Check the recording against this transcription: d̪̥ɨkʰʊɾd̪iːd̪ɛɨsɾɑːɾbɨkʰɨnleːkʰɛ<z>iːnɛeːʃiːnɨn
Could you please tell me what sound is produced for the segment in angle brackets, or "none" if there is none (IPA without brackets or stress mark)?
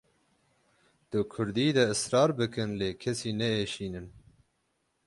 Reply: s